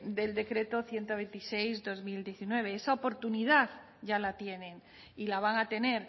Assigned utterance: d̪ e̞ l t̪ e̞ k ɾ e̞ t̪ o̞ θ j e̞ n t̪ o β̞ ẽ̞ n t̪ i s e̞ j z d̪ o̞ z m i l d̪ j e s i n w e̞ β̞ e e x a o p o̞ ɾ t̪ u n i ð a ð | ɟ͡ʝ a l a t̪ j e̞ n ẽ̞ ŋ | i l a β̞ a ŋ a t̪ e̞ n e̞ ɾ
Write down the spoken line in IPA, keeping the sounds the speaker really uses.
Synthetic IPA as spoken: d̪ e̞ l d̪ e̞ k ɾ e̞ t̪ o̞ θ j e̞ n t̪ o β̞ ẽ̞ n t̪ i s e̞ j z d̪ o̞ z m i l d̪ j e θ i n w e̞ β̞ e e s a o p o̞ ɾ t̪ u n i ð a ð | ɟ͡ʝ a l a t̪ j e̞ n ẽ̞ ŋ | i l a β̞ a ŋ a t̪ e̞ n e̞ ɾ